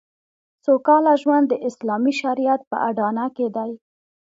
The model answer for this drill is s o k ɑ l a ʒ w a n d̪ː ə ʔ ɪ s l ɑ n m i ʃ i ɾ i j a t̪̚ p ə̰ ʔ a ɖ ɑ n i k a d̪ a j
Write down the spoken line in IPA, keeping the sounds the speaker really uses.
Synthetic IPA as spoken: s o k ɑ l a ʒ w a n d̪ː ə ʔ ɪ s l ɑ m i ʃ a ɾ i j a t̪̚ p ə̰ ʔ a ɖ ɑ n a k e d̪ a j